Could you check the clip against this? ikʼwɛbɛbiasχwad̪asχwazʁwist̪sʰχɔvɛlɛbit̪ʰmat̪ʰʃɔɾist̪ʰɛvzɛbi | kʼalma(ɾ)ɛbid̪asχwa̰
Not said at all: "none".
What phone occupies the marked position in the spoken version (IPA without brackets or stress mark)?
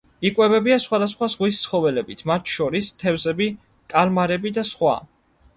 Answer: ɾ